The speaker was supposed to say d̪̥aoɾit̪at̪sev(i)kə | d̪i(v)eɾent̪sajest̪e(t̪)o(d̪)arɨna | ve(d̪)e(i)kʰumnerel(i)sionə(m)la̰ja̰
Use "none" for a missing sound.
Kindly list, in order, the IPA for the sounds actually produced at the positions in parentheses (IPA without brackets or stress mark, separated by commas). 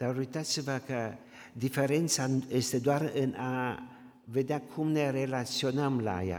a, f, d̪, none, d̪, a, a, m